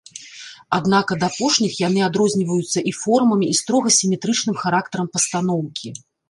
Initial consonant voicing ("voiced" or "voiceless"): voiced